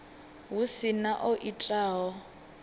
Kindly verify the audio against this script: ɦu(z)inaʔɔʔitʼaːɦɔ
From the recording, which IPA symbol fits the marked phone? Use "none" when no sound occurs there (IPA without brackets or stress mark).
s